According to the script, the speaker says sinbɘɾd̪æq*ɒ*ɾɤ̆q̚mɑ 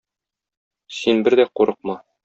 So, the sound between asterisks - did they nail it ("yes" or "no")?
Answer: no